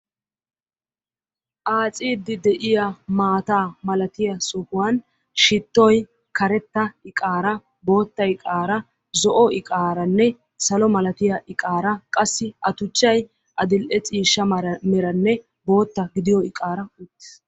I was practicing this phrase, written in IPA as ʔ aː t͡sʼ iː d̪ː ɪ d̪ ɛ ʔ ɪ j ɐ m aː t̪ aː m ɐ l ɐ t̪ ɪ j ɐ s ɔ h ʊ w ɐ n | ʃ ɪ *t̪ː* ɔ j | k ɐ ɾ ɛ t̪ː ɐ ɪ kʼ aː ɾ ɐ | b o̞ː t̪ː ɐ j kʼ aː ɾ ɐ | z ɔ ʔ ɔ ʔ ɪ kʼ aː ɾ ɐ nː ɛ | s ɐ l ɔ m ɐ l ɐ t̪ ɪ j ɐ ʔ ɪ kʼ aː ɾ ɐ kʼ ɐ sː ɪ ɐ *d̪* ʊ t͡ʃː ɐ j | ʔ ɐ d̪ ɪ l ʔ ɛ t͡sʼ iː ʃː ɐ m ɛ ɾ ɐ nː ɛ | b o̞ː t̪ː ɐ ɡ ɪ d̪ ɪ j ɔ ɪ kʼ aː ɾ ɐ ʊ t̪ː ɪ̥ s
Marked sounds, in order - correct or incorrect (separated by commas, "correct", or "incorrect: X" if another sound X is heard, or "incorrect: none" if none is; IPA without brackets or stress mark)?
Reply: correct, incorrect: t̪